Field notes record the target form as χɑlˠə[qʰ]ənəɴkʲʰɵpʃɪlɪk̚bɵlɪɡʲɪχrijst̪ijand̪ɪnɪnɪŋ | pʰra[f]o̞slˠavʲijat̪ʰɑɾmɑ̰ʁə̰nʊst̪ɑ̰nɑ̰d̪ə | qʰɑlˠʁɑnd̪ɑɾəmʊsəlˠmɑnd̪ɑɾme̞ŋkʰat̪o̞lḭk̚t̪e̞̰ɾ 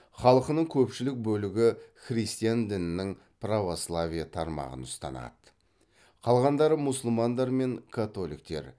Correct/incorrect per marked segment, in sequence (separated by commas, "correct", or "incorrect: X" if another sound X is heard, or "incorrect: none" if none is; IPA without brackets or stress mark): incorrect: q, incorrect: v